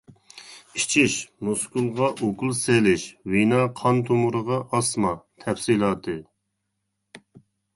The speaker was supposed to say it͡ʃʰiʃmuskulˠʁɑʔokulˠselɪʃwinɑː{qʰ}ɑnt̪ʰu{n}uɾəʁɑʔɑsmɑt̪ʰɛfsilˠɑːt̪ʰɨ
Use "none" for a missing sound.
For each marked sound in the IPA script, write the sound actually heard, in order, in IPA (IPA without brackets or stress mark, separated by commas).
qʰ, m